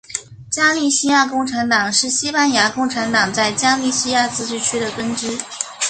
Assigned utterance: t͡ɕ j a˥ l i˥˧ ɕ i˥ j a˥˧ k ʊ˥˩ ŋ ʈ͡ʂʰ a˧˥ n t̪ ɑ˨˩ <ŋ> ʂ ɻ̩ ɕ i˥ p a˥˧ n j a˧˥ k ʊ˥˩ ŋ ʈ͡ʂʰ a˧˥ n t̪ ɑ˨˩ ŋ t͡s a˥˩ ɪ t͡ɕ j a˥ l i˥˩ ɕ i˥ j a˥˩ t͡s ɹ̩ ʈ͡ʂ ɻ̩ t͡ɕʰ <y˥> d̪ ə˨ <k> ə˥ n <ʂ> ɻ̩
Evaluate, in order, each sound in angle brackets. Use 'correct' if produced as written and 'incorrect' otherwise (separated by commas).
correct, correct, correct, incorrect